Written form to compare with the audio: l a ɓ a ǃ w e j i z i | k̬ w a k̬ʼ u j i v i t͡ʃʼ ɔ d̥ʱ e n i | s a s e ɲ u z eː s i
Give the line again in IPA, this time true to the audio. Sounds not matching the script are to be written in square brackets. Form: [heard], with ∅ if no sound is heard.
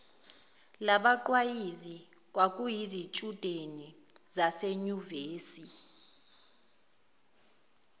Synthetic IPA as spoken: l a ɓ a ǃ w [a] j i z i | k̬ w a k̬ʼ u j i [z] i t͡ʃʼ [u] d̥ʱ e n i | [z] a s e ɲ u [v] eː s i